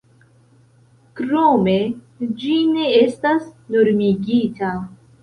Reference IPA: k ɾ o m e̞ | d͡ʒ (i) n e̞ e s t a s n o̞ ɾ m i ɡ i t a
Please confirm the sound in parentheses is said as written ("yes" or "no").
yes